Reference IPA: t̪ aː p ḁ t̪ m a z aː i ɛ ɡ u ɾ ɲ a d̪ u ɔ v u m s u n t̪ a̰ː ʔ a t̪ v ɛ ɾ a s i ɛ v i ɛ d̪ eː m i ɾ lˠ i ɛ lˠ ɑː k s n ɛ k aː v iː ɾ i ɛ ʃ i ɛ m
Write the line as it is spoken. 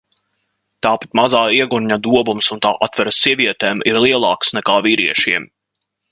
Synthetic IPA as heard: t̪ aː p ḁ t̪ m a z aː i ɛ ɡ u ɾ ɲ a d̪ u ɔ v u m s u n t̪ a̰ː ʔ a t̪ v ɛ ɾ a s i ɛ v i ɛ t̪ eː m i ɾ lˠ i ɛ lˠ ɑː k s n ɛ k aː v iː ɾ i ɛ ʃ i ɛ m

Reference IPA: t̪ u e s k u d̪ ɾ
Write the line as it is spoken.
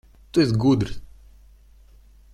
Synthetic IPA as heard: t̪ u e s ɡ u d̪ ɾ

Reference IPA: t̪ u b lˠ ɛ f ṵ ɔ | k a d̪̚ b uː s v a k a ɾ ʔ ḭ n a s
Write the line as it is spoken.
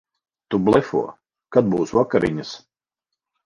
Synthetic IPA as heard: t̪ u b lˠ ɛ f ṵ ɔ | k a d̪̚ b uː s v a k a ɾ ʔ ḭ ɲ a s

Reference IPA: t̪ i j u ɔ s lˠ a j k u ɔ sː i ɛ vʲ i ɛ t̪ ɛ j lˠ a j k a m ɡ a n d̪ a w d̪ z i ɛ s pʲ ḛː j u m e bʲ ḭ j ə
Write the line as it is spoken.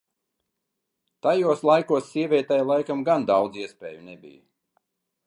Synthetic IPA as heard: t̪ a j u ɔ s lˠ a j k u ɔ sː i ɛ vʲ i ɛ t̪ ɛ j lˠ a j k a m ɡ a n d̪ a w d̪ z i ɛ s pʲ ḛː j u n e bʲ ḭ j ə

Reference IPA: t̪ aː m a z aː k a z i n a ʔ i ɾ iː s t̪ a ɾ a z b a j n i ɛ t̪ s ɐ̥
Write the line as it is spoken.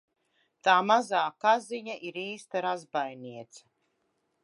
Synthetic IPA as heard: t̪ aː m a z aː k a z i ɲ a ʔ i ɾ iː s t̪ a ɾ a z b a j n i ɛ t̪ s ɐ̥

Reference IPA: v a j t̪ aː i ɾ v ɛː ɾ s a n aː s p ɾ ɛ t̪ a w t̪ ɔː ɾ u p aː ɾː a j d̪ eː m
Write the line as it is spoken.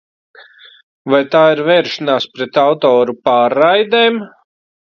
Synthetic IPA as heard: v a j t̪ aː i ɾ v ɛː ɾ ʃ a n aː s p ɾ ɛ t̪ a w t̪ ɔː ɾ u p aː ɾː a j d̪ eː m

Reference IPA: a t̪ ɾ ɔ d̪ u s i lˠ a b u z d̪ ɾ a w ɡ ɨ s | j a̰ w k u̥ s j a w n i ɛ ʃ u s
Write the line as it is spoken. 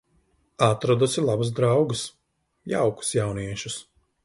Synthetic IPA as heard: a t̪ ɾ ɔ d̪ u s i lˠ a b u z d̪ ɾ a w ɡ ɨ s | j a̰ w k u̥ s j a w n i ɛ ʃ u s

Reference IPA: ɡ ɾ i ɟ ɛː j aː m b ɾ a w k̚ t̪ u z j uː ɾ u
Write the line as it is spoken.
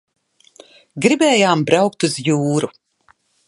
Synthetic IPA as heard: ɡ ɾ i b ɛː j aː m b ɾ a w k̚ t̪ u z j uː ɾ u

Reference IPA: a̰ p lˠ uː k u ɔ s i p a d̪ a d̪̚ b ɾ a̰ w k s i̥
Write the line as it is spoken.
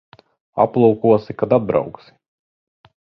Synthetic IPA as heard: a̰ p lˠ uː k u ɔ s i k a d̪ a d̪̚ b ɾ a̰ w k s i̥

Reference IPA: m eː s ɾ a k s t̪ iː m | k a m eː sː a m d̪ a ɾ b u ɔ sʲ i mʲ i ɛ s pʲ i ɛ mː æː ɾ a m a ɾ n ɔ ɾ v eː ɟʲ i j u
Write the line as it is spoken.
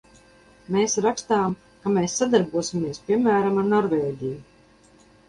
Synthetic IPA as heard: m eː s ɾ a k s t̪ aː m | k a m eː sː a d̪ a ɾ b u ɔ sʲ i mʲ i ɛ s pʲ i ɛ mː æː ɾ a m a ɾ n ɔ ɾ v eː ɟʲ i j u

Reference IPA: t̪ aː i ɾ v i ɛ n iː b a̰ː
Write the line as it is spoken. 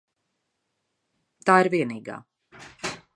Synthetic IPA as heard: t̪ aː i ɾ v i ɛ n iː ɡ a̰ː

